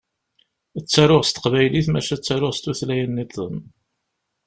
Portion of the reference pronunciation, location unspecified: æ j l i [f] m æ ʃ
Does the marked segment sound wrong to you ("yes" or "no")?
yes